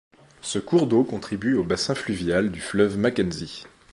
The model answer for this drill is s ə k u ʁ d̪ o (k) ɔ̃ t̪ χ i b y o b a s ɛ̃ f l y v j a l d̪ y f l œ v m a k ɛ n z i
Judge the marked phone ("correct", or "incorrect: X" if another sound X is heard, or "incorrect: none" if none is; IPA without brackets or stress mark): correct